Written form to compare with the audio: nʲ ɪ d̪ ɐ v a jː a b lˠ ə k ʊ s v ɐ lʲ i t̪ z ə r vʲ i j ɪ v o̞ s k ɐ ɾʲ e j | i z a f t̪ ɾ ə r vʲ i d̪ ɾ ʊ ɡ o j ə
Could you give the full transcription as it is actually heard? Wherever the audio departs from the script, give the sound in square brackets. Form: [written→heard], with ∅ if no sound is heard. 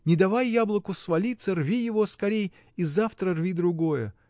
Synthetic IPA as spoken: nʲ ɪ d̪ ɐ v a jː a b lˠ ə k ʊ s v ɐ lʲ i t̪ [z→s] ə r vʲ i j ɪ v o̞ s k ɐ ɾʲ e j | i z a f t̪ ɾ ə r vʲ i d̪ ɾ ʊ ɡ o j ə